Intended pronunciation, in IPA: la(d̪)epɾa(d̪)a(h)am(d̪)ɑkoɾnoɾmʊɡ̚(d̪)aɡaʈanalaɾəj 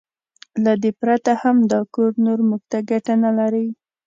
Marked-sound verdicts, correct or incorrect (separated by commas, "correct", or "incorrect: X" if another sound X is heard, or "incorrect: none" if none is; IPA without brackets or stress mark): correct, incorrect: t̪, correct, correct, incorrect: t̪